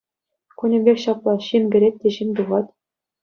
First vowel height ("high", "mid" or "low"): high